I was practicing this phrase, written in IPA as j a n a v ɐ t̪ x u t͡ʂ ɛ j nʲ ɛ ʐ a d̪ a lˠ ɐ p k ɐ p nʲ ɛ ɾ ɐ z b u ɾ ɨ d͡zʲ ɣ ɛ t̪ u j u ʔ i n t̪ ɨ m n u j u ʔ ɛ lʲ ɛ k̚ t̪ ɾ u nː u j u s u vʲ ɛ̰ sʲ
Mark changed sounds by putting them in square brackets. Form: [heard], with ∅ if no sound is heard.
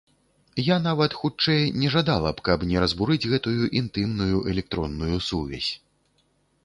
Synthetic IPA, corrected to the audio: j a n a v ɐ t̪ x u t͡ʂ ɛ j nʲ ɛ ʐ a d̪ a lˠ ɐ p k ɐ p nʲ ɛ ɾ ɐ z b u ɾ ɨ d͡zʲ ɣ ɛ t̪ u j u ʔ i n t̪ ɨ m n u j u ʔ ɛ lʲ ɛ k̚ t̪ ɾ [ɔ] nː u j u s u vʲ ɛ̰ sʲ